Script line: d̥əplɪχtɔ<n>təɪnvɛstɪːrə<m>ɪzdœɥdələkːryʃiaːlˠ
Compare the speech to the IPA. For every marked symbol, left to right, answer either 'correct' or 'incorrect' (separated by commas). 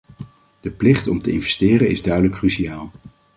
incorrect, incorrect